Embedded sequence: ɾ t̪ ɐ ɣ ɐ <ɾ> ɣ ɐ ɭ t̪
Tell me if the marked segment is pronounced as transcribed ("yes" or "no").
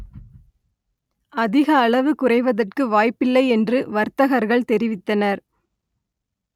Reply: yes